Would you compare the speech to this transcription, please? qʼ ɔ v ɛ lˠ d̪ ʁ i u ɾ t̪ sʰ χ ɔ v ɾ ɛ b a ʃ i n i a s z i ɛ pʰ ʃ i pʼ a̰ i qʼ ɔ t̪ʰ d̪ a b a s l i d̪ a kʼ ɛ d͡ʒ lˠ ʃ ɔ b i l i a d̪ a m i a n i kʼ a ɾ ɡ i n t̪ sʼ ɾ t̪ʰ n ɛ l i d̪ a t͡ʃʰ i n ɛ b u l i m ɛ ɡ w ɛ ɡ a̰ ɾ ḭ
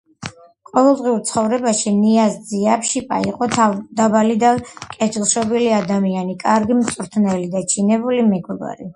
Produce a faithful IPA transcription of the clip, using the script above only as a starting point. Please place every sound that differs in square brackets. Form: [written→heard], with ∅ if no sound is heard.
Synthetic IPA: qʼ ɔ v ɛ lˠ d̪ ʁ i u ɾ t̪ sʰ χ ɔ v ɾ ɛ b a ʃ i n i a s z i [ɛ→a] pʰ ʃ i pʼ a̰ i qʼ ɔ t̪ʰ d̪ a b a [s→∅] l i d̪ a kʼ ɛ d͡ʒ lˠ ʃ ɔ b i l i a d̪ a m i a n i kʼ a ɾ ɡ i [n→m] t̪ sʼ ɾ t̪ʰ n ɛ l i d̪ a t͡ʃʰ i n ɛ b u l i m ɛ ɡ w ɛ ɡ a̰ ɾ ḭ